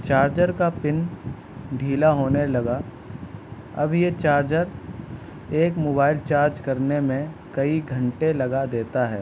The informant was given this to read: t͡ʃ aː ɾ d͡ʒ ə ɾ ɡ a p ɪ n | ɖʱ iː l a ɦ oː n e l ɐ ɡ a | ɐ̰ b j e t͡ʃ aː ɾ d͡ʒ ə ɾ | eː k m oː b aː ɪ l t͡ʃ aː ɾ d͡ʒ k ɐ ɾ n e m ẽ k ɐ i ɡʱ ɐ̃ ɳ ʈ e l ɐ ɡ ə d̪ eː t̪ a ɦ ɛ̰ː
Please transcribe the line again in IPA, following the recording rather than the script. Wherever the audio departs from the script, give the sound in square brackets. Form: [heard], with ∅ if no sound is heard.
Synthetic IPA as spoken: t͡ʃ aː ɾ d͡ʒ ə ɾ [k] a p ɪ n | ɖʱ iː l a ɦ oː n e l ɐ ɡ a | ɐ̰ b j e t͡ʃ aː ɾ d͡ʒ ə ɾ | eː k m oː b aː ɪ l t͡ʃ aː ɾ d͡ʒ k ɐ ɾ n e m ẽ k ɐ i ɡʱ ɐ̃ ɳ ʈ e l ɐ ɡ [a] d̪ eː t̪ a ɦ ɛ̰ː